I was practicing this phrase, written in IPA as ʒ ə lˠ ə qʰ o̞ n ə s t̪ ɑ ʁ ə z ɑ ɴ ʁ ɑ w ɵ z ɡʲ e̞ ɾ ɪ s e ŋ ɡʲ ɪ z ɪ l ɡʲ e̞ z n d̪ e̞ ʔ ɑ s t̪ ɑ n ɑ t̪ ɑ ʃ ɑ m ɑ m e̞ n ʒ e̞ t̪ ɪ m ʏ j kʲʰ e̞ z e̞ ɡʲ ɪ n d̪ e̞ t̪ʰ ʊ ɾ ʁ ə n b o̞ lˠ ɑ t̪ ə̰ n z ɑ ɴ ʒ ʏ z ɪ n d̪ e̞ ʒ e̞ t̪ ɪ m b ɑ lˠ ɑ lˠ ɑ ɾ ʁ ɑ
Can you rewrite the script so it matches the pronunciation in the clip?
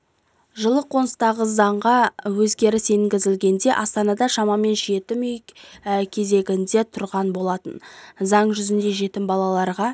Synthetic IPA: ʒ ə lˠ ə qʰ o̞ n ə s t̪ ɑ ʁ ə z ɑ ɴ ʁ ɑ w ɵ z ɡʲ e̞ ɾ ɪ s e ŋ ɡʲ ɪ z ɪ l ɡʲ e̞ n d̪ e̞ ʔ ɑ s t̪ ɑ n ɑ d̪ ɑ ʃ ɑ m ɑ m e̞ n ʒ e̞ t̪ ɪ m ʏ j kʲʰ e̞ z e̞ ɡʲ ɪ n d̪ e̞ t̪ʰ ʊ ɾ ʁ ɑ n b o̞ lˠ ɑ t̪ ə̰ n z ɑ ɴ ʒ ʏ z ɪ n d̪ e̞ ʒ e̞ t̪ ɪ m b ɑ lˠ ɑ lˠ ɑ ɾ ʁ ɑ